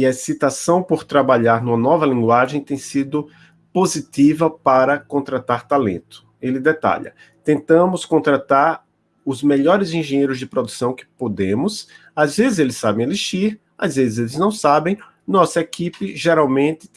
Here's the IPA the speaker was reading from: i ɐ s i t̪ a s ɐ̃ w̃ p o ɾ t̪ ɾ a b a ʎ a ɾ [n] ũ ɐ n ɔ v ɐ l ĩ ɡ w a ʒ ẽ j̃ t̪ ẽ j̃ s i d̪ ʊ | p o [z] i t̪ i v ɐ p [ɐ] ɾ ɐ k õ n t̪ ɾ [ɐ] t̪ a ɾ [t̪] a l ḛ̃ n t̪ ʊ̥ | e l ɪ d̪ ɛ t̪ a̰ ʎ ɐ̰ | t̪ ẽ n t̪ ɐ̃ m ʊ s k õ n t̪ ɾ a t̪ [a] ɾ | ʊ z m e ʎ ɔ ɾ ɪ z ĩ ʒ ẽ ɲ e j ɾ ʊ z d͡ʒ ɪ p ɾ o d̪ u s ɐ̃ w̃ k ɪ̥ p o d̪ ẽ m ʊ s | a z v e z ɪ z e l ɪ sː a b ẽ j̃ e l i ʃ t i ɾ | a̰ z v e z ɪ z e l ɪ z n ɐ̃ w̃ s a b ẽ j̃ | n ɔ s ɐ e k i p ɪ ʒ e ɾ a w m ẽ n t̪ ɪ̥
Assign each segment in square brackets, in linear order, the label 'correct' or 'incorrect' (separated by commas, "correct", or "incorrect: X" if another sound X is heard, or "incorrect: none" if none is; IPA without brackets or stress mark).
correct, correct, incorrect: a, incorrect: a, correct, correct